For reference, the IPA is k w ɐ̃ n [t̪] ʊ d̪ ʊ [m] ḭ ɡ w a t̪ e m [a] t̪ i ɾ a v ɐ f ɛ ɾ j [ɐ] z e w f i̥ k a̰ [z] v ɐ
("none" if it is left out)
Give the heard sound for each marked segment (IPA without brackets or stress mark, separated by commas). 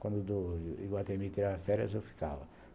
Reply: d̪, none, i, ɐ, none